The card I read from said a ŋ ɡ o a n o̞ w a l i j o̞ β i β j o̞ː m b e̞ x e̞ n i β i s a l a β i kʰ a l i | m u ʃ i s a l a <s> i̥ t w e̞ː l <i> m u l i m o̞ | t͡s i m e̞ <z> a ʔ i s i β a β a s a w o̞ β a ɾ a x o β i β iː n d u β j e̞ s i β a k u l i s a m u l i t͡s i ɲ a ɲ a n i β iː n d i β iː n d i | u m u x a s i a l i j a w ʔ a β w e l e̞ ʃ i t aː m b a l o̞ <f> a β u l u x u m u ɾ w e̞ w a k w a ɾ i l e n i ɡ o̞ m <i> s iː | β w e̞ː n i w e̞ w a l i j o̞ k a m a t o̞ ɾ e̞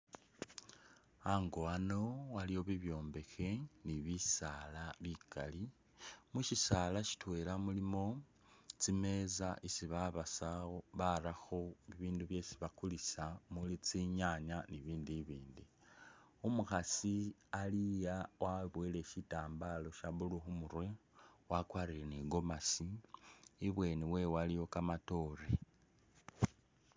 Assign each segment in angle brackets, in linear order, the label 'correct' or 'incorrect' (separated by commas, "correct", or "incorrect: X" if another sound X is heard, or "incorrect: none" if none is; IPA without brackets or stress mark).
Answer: incorrect: ʃ, incorrect: a, correct, incorrect: ʃ, incorrect: a